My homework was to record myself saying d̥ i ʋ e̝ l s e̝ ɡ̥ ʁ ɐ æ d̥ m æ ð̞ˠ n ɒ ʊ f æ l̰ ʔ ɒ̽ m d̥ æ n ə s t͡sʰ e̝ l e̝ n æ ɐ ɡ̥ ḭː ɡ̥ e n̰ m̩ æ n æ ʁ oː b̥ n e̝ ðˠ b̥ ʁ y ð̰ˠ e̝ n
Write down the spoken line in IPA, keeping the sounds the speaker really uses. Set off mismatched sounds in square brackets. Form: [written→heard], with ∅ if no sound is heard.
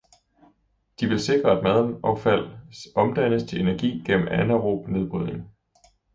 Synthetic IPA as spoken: d̥ i ʋ e̝ l s e̝ ɡ̥ ʁ ɐ æ d̥ m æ ð̞ˠ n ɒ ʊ f æ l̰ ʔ ɒ̽ m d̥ æ n ə s t͡sʰ e̝ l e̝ n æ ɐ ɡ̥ ḭː ɡ̥ e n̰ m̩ æ n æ ʁ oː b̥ n e̝ ðˠ b̥ ʁ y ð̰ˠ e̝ [n→ŋ]